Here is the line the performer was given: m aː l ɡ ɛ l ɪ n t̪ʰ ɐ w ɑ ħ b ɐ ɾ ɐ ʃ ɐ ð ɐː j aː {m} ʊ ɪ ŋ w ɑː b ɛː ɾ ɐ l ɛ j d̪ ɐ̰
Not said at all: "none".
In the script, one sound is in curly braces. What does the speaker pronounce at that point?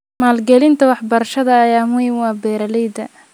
m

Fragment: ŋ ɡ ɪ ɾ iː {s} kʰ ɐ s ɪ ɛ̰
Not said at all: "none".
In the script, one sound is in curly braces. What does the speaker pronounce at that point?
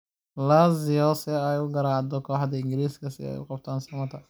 s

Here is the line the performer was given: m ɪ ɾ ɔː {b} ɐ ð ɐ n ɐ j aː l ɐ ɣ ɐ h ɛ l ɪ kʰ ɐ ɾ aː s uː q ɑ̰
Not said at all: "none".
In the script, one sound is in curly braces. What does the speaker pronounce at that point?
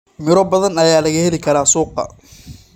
b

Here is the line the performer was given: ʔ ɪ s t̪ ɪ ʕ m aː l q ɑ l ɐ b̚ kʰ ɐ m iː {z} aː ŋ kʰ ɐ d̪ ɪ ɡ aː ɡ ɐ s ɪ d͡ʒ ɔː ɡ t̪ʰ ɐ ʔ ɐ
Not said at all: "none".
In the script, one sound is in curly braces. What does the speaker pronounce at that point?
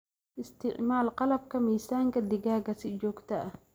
s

